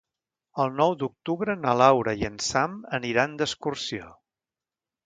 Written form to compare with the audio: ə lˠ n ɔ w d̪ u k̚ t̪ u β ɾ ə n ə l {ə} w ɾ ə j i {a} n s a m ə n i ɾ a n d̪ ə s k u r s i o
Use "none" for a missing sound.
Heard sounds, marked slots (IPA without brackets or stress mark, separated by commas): a, ə